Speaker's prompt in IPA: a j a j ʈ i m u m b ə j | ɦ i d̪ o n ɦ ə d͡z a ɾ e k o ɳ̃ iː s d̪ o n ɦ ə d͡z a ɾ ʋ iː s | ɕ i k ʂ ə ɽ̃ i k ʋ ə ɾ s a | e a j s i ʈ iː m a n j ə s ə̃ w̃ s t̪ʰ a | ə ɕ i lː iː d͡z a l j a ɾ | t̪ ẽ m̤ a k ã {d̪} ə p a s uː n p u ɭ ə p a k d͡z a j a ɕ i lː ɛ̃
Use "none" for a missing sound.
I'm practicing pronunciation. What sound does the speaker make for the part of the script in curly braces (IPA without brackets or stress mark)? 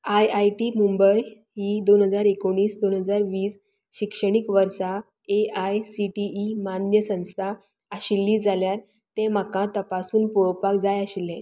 t̪